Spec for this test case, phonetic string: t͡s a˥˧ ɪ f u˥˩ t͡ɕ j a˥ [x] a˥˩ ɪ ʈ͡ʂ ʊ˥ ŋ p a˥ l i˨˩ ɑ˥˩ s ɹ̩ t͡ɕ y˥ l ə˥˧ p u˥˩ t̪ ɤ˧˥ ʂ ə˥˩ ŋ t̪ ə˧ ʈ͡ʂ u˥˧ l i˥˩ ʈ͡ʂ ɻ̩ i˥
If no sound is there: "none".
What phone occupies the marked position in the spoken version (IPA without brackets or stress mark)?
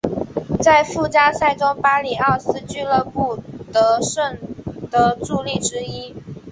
s